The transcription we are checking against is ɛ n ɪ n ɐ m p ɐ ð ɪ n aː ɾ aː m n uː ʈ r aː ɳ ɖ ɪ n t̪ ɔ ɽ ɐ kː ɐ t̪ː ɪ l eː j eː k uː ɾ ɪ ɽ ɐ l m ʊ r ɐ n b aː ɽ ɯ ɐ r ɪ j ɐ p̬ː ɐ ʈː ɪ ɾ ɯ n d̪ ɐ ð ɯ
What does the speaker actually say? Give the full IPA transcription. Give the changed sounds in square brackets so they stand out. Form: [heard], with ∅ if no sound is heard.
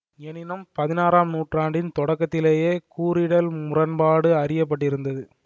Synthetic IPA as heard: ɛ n ɪ n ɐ m p ɐ ð ɪ n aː ɾ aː m n uː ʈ r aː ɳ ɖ ɪ n t̪ ɔ ɽ ɐ kː ɐ t̪ː ɪ l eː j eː k uː ɾ ɪ ɽ ɐ l m ʊ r ɐ n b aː ɽ ɯ ɐ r ɪ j ɐ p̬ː ɐ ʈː ɪ ɾ ɯ n d̪ ɐ ð ɯ